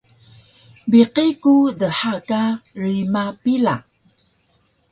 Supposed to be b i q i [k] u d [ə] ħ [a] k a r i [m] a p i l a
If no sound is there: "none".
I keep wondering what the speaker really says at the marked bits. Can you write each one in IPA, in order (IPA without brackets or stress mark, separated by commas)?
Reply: k, ə, a, m